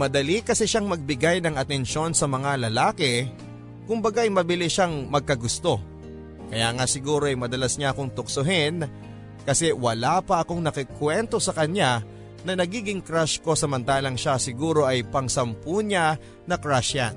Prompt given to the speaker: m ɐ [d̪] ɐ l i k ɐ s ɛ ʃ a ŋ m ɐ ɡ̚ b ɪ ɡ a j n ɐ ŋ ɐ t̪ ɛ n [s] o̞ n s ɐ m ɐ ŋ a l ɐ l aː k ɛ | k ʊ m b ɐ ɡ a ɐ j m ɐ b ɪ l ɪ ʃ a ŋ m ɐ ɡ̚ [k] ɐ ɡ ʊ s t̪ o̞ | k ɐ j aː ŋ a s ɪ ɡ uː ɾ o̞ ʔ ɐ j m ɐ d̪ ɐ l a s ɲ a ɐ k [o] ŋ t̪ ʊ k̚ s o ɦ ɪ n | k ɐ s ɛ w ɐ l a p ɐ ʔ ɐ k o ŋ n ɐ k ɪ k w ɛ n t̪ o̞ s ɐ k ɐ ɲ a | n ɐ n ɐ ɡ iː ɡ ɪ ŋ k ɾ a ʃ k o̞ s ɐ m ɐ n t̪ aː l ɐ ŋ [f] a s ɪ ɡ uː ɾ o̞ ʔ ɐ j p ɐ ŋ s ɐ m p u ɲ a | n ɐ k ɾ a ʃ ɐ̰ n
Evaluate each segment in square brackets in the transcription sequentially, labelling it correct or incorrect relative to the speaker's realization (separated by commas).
correct, incorrect, correct, correct, incorrect